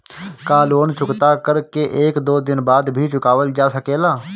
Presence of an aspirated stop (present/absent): absent